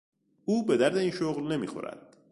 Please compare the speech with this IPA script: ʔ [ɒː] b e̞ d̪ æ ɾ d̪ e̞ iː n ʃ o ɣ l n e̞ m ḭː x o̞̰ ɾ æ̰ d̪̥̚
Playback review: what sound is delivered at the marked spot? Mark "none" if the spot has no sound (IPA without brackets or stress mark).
uː